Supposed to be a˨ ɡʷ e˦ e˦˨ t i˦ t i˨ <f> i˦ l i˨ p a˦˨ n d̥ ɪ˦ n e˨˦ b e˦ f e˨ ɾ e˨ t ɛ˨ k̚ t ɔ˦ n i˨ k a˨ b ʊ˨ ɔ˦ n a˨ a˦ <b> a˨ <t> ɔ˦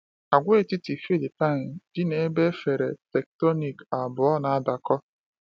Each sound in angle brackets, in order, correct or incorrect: correct, incorrect: d, incorrect: k

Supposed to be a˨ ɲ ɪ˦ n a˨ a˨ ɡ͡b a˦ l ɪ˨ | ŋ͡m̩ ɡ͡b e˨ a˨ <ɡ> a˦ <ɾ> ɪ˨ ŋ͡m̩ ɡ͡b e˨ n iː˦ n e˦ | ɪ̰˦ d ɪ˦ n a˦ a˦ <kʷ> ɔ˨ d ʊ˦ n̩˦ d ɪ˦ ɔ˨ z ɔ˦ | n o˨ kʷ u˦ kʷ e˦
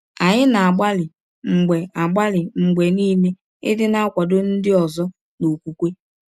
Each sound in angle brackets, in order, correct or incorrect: incorrect: ɡ͡b, incorrect: l, correct

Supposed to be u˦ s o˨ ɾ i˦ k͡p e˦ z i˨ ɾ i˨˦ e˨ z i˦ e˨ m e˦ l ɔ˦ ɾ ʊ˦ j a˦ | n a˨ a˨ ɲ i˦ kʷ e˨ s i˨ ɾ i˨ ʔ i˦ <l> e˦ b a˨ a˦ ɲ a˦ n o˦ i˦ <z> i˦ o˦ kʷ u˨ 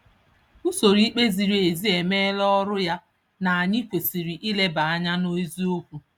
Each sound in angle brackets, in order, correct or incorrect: correct, correct

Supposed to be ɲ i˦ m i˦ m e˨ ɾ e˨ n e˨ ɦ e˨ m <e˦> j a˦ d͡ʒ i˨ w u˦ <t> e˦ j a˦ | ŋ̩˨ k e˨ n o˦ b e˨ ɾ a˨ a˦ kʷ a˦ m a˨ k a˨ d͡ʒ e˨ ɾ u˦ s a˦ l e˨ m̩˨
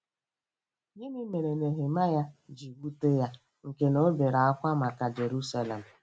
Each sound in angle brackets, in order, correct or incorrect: incorrect: a˦, correct

